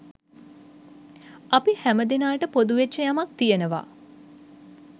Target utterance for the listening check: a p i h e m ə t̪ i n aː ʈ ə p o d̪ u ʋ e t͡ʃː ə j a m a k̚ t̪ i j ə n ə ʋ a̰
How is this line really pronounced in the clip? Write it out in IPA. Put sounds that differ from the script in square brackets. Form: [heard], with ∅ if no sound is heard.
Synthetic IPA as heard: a p i h [æ] m ə [d̪] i n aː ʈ ə p o d̪ u ʋ e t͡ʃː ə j a m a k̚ t̪ i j ə n ə ʋ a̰